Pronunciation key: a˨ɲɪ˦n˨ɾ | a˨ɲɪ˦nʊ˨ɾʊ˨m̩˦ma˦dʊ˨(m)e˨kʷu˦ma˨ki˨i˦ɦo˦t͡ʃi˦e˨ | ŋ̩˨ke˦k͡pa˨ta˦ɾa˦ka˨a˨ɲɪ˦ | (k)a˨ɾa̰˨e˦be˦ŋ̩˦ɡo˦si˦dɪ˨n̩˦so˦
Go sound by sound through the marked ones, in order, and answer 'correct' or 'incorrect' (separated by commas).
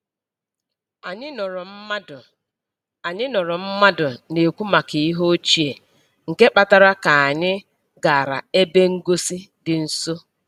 incorrect, incorrect